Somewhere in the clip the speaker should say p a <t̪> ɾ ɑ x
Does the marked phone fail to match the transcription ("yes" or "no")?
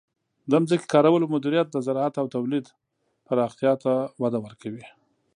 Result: yes